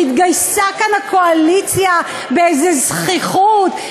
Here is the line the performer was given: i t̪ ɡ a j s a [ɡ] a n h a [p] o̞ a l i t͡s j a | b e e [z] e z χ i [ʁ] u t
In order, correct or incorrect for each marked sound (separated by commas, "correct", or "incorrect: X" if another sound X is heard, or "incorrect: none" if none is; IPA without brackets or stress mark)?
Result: incorrect: k, incorrect: k, correct, incorrect: χ